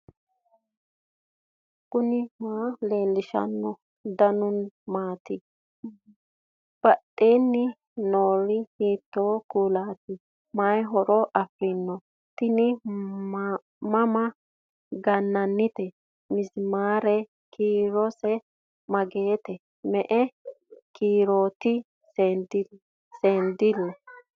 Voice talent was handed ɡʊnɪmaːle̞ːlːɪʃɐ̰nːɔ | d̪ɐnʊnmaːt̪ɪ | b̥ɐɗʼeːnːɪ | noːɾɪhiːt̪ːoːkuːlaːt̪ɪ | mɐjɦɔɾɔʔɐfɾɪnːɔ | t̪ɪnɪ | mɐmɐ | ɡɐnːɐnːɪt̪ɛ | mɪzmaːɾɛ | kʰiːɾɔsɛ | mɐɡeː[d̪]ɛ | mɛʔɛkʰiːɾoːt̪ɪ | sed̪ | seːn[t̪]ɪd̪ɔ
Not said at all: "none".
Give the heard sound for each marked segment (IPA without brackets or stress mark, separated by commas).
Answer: t̪, d̪